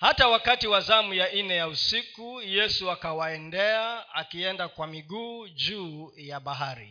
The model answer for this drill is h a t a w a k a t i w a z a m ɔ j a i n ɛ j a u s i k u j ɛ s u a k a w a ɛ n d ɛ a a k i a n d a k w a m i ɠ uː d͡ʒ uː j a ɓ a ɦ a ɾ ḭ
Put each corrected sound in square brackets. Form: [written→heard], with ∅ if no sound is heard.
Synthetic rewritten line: h a t a w a k a t i w a z a m [ɔ→u] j a i n ɛ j a u s i k u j ɛ s u a k a w a ɛ n d ɛ a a k i [a→ɛ] n d a k w a m i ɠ uː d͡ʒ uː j a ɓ a ɦ a ɾ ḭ